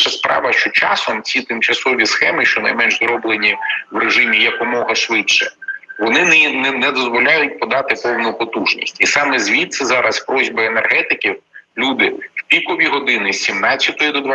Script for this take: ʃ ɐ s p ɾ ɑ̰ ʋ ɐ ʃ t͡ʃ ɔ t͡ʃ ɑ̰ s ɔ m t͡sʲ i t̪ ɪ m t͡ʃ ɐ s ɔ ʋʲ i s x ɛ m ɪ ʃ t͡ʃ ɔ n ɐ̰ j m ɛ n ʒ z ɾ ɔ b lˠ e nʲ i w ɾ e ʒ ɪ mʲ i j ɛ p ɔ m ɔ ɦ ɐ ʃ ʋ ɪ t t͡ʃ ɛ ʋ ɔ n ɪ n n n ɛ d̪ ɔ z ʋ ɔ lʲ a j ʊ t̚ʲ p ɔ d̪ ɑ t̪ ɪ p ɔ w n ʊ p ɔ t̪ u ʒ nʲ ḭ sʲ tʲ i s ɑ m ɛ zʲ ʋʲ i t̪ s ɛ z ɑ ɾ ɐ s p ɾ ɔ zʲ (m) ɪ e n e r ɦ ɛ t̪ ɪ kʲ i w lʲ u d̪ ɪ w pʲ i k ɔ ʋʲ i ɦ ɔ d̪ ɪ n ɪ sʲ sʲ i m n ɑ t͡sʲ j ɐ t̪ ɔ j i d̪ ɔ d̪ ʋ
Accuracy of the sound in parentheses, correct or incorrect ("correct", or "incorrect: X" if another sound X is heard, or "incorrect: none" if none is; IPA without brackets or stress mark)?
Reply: incorrect: b